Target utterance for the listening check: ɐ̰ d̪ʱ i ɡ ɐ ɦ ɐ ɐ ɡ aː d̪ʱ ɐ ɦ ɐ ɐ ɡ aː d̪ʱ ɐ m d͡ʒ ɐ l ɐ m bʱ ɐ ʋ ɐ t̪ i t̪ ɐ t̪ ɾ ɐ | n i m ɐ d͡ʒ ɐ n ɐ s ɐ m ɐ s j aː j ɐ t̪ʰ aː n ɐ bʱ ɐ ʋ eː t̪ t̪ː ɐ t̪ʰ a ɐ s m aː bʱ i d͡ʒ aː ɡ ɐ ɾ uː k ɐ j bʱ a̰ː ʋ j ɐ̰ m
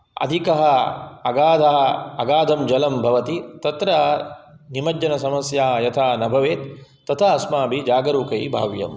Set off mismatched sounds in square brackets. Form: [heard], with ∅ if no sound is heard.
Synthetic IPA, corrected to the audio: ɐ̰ d̪ʱ i [k] ɐ ɦ ɐ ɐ ɡ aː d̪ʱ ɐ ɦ ɐ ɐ ɡ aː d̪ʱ ɐ m d͡ʒ ɐ l ɐ m bʱ ɐ ʋ ɐ t̪ i t̪ ɐ t̪ ɾ ɐ | n i m ɐ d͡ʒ ɐ n ɐ s ɐ m ɐ s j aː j ɐ t̪ʰ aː n ɐ bʱ ɐ ʋ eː t̪ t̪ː ɐ t̪ʰ a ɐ s m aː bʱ i d͡ʒ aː ɡ ɐ ɾ uː k ɐ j bʱ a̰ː ʋ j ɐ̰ m